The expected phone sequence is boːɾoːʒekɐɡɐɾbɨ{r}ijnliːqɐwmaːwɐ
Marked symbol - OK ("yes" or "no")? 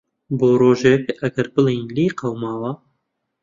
no